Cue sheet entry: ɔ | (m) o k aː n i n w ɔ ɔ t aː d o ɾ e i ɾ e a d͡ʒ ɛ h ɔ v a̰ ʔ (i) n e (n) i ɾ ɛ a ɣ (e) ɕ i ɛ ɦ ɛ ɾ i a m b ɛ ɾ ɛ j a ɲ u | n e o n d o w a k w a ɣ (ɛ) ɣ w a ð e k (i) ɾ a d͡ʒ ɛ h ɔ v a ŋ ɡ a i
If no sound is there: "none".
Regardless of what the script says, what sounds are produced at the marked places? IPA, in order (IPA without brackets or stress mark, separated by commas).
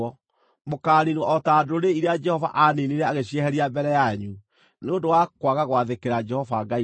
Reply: m, a, n, e, a, e